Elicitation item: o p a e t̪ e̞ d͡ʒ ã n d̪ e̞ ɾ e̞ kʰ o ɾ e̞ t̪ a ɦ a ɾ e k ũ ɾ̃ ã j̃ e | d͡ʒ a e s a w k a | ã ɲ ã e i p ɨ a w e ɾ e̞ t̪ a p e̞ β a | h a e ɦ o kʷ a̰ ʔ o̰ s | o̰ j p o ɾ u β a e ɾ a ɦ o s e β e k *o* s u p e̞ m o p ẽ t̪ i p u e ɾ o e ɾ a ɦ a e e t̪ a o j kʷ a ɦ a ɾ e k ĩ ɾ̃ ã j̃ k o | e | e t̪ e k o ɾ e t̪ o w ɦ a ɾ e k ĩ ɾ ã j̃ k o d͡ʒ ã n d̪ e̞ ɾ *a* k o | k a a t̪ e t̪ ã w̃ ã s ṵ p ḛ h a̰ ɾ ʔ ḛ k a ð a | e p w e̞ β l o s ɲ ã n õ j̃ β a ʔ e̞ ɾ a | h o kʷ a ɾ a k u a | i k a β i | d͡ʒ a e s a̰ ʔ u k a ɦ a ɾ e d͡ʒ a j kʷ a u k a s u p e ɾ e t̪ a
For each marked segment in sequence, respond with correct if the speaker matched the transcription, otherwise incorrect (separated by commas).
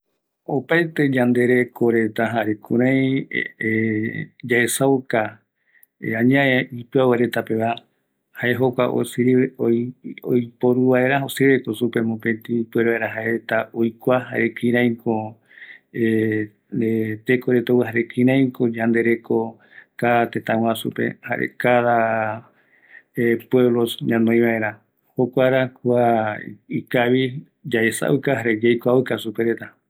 correct, incorrect